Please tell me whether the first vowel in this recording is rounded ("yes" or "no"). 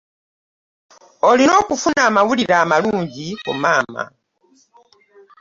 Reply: yes